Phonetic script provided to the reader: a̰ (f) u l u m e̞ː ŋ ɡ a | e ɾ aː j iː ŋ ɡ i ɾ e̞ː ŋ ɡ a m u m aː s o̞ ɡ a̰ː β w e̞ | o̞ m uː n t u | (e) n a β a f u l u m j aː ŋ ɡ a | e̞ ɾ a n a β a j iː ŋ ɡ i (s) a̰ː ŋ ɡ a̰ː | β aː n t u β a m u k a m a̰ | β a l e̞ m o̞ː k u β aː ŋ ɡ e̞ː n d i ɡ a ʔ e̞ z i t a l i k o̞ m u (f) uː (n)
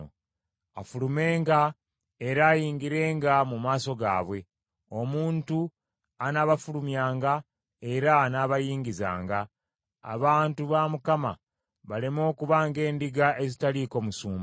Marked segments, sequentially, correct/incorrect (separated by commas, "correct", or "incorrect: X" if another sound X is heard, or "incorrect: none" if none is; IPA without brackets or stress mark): correct, incorrect: a, incorrect: z, incorrect: s, incorrect: m